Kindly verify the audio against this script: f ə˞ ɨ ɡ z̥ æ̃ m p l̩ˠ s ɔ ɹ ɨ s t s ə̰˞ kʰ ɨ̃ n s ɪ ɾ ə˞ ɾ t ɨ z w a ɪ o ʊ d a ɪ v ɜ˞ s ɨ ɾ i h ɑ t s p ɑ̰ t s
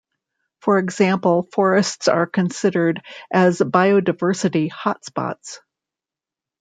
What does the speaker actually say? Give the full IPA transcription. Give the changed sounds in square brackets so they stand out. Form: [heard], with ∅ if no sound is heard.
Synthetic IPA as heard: f ə˞ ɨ ɡ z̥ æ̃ m p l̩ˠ [f] ɔ ɹ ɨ s t s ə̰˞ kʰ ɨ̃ n s ɪ ɾ ə˞ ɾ [ʔ] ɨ z [b] a ɪ o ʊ d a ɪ v ɜ˞ s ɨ ɾ i h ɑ t s p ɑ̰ t s